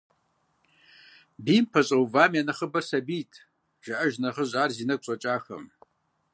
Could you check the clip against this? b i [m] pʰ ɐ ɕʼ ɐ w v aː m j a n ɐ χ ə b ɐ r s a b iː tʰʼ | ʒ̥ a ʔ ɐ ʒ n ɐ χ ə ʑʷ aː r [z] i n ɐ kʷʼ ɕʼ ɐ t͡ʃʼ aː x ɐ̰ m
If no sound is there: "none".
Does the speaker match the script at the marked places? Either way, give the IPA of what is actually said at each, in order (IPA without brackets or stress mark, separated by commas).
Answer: m, z